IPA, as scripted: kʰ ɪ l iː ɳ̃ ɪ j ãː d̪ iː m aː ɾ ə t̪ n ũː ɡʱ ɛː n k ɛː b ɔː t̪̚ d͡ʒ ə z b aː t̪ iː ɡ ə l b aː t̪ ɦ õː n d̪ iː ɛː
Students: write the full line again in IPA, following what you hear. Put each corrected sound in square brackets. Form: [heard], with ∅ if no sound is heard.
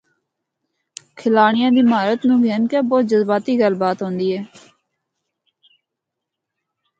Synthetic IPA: kʰ ɪ l [aː] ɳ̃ ɪ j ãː d̪ iː m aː ɾ ə t̪ n ũː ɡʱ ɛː n k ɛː b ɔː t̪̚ d͡ʒ ə z b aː t̪ iː ɡ ə l b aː t̪ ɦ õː n d̪ iː ɛː